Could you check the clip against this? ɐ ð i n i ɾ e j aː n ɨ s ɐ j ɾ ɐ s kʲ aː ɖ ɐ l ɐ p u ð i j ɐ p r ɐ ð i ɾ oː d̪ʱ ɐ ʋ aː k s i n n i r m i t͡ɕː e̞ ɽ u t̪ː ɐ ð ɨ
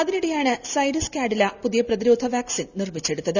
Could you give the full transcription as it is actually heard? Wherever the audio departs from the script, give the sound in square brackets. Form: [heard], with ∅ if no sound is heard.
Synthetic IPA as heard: ɐ ð i n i [ɽ] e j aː [ɳ] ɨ s ɐ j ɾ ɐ s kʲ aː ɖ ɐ l ɐ p u ð i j ɐ p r ɐ ð i ɾ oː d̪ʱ ɐ ʋ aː k s i n n i r m i t͡ɕː e̞ ɽ u t̪ː ɐ ð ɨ